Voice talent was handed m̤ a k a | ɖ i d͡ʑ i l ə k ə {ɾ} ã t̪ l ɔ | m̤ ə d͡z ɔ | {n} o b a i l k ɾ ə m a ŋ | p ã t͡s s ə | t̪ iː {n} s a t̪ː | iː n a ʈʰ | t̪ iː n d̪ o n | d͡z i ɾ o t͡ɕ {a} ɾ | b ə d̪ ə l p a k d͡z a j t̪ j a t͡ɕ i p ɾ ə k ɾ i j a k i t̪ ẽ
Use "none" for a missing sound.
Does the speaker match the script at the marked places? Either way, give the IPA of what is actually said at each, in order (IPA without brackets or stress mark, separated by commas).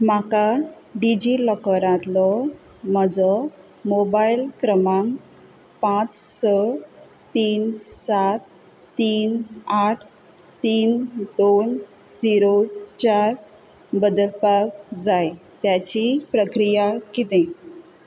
ɾ, m, n, a